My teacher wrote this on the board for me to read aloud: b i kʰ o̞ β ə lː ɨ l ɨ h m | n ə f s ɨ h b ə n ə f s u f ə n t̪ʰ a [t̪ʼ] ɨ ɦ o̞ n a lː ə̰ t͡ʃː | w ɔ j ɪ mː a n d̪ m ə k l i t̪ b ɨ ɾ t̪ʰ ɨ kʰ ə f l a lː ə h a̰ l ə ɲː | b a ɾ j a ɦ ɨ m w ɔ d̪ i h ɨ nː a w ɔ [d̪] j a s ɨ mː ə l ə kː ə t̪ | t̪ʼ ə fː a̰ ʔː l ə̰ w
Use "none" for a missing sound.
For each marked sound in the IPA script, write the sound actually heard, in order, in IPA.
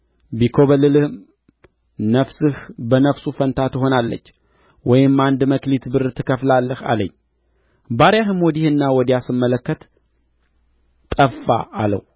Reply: t̪, d̪

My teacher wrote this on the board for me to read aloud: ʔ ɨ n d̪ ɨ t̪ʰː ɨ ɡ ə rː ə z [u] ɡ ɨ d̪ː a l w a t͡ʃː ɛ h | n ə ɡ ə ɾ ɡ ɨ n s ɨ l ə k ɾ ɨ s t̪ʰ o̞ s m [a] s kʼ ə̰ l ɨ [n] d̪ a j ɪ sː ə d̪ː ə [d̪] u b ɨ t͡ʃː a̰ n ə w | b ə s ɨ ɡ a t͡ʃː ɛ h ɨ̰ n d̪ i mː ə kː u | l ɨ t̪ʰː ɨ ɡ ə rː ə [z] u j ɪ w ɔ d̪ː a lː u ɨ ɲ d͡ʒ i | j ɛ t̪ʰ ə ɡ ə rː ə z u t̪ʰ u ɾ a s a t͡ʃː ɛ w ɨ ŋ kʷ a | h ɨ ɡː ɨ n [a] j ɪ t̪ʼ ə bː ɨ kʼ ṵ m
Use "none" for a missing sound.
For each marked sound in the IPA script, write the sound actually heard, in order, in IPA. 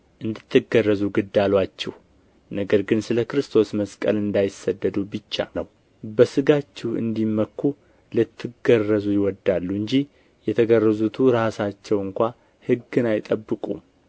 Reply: u, ə, n, d̪, z, a

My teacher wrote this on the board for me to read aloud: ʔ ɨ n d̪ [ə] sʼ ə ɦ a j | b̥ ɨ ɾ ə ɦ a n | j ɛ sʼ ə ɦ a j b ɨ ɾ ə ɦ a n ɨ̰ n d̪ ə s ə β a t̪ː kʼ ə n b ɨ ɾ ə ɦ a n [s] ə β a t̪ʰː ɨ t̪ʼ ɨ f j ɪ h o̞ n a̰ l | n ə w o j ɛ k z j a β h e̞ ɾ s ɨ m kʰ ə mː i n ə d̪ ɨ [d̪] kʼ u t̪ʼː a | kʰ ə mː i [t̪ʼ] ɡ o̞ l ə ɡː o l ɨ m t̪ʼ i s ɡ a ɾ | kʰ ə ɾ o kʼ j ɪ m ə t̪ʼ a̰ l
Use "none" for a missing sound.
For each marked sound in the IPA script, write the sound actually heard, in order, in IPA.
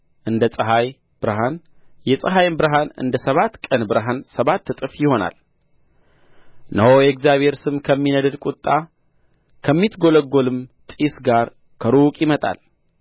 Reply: ə, s, d̪, t̪

